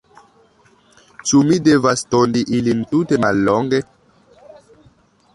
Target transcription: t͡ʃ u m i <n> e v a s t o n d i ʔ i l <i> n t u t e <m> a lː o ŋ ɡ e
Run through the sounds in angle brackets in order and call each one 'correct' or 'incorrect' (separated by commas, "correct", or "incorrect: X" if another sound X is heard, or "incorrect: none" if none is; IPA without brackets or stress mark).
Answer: incorrect: d, correct, correct